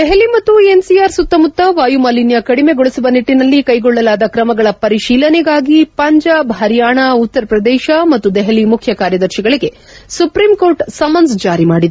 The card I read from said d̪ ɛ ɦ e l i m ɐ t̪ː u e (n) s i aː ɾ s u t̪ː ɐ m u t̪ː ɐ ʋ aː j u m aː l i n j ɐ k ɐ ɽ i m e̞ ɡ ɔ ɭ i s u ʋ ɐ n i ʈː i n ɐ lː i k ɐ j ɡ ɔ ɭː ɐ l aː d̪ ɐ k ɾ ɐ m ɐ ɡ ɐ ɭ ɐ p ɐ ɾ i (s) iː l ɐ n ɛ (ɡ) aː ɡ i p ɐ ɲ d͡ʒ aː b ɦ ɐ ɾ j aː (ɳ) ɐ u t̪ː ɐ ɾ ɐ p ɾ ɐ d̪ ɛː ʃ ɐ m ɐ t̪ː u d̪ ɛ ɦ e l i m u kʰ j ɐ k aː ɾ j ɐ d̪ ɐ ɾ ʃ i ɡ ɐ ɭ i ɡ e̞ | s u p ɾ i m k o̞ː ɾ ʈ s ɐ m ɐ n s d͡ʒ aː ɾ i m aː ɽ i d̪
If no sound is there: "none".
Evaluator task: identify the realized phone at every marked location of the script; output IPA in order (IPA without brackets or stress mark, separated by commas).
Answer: n, ʃ, ɡ, ɳ